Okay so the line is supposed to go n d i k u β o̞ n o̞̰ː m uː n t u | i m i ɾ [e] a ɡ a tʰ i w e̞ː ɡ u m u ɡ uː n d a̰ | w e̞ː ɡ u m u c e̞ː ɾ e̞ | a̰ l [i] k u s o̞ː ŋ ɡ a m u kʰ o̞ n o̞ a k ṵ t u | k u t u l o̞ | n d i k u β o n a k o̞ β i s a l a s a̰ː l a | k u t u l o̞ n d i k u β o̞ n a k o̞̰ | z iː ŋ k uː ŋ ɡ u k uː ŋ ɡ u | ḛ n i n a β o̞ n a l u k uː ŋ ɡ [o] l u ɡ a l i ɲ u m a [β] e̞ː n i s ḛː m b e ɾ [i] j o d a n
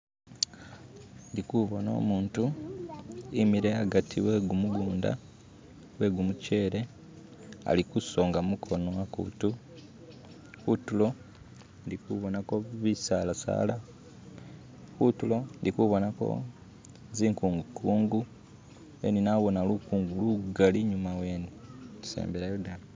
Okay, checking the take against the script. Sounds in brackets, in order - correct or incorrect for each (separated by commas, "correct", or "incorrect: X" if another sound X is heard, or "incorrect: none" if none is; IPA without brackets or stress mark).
correct, correct, incorrect: u, incorrect: w, incorrect: a